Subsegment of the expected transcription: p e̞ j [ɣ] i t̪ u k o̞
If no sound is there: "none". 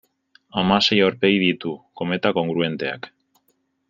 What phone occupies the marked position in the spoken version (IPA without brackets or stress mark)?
ð